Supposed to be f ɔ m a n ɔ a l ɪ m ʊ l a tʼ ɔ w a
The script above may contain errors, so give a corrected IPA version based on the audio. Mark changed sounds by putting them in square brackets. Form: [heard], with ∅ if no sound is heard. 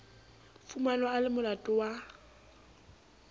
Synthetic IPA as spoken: f [u] m a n ɔ a l ɪ m ʊ l a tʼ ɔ w a